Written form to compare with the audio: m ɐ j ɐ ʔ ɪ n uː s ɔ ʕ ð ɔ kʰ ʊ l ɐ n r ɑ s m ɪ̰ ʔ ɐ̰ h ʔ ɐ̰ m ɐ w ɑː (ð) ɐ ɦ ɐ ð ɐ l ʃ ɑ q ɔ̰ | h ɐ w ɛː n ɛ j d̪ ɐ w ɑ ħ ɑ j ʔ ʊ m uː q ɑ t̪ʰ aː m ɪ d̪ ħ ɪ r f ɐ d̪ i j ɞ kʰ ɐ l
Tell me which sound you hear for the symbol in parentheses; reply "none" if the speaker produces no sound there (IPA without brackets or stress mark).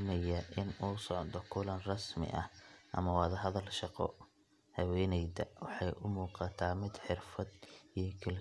ð